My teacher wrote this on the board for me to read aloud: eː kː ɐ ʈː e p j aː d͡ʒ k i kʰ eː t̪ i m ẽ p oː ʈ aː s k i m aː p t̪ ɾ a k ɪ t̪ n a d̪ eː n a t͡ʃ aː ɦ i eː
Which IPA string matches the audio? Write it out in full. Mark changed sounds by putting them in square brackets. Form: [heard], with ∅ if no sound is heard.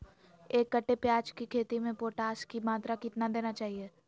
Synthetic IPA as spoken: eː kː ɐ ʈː e p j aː d͡ʒ k i kʰ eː t̪ i m ẽ p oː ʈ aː s k i m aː [∅] t̪ ɾ a k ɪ t̪ n a d̪ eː n a t͡ʃ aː ɦ i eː